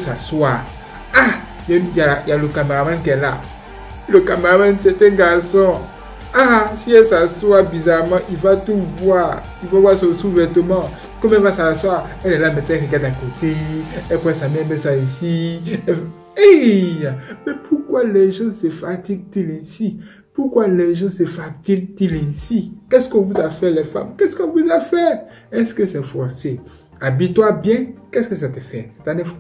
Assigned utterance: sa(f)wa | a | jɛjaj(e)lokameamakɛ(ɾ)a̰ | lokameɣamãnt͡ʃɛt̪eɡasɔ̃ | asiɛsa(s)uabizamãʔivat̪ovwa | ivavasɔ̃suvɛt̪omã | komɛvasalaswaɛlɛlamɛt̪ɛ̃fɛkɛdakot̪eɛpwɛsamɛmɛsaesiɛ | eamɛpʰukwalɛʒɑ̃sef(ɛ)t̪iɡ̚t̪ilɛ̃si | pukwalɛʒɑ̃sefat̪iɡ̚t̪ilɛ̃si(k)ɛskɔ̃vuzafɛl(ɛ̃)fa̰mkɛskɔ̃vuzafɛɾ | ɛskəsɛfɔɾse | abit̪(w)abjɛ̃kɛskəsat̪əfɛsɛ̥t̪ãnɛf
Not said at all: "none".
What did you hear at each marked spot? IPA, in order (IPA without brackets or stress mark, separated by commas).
s, a, l, s, a, k, ɛ, w